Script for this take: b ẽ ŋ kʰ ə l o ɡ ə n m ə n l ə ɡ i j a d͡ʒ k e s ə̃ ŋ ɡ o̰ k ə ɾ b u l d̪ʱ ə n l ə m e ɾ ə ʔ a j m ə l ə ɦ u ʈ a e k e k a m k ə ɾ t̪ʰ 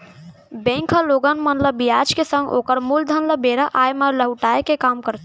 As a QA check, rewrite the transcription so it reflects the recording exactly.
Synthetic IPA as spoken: b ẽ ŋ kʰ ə l o ɡ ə n m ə n l ə b i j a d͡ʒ k e s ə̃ ŋ ɡ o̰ k ə ɾ m u l d̪ʱ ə n l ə b e ɾ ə ʔ a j m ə l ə ɦ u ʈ a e k e k a m k ə ɾ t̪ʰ